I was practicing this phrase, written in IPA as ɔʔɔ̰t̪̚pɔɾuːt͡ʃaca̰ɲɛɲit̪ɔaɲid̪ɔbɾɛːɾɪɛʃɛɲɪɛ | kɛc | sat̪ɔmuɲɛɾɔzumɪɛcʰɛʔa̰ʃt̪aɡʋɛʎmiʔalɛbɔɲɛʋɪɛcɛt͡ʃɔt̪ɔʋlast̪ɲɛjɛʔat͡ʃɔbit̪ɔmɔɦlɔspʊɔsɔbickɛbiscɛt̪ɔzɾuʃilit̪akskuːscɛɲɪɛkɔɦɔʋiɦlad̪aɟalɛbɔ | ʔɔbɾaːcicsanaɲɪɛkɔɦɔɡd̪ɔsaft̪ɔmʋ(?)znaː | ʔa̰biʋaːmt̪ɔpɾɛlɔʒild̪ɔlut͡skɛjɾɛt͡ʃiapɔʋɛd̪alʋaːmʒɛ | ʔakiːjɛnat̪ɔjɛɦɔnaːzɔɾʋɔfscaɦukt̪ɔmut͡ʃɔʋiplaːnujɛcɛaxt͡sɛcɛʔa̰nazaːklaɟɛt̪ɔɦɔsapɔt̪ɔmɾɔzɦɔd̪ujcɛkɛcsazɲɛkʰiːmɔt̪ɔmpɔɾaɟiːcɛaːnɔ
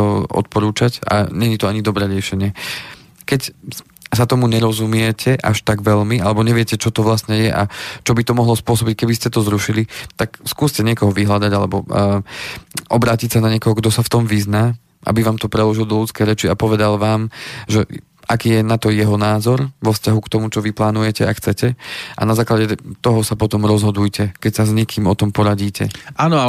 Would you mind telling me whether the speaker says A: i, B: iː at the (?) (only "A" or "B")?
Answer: A